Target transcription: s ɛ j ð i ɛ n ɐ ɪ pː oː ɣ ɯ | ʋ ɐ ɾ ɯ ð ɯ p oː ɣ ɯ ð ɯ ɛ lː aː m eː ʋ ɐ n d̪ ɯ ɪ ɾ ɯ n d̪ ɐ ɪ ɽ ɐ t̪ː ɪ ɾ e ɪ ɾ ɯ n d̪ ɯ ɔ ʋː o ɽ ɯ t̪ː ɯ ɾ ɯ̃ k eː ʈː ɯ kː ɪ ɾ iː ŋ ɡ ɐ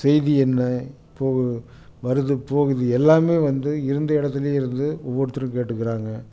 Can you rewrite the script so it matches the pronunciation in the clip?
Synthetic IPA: s ɛ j ð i ɛ nː ɐ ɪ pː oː ɣ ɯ | ʋ ɐ ɾ ɯ ð ɯ p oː ɣ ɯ ð ɯ ɛ lː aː m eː ʋ ɐ n d̪ ɯ ɪ ɾ ɯ n d̪ ɐ ɪ ɽ ɐ t̪ː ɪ l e ɪ ɾ ɯ n d̪ ɯ ɔ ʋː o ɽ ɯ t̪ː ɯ ɾ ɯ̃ k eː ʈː ɯ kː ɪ ɾ aː ŋ ɡ ɐ